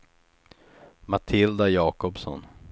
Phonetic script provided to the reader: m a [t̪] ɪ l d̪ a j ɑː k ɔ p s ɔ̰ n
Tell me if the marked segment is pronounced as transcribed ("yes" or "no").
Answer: no